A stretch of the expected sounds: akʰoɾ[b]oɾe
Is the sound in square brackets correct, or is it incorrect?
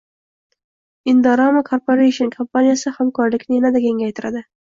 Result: incorrect